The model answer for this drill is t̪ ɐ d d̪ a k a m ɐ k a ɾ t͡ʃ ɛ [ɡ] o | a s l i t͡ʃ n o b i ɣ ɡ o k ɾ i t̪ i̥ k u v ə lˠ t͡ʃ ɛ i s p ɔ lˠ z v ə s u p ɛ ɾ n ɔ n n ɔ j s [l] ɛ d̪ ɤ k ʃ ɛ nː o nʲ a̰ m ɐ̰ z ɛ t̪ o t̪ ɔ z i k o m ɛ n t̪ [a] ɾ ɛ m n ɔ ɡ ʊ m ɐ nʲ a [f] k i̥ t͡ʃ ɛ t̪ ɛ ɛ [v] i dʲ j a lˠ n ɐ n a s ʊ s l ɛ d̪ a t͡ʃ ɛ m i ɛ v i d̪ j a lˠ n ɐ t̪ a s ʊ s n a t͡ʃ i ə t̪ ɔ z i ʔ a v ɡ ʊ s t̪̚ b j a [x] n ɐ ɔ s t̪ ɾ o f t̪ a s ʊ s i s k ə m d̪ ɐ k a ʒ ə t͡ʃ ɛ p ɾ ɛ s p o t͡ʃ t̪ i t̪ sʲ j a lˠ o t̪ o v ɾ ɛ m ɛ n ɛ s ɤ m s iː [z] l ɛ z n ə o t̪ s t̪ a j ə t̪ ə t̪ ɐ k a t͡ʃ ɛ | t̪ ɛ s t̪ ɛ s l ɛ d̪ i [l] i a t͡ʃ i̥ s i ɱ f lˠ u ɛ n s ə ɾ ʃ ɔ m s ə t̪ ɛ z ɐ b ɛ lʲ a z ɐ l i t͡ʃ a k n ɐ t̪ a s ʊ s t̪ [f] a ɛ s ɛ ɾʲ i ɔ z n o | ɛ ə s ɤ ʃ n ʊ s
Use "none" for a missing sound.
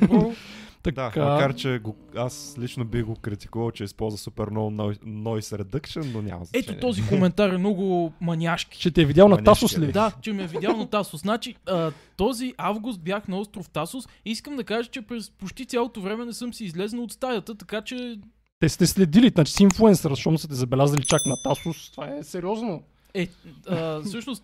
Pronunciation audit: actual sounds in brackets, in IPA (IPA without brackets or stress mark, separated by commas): ɡ, ɾ, a, ʃ, v, x, z, l, v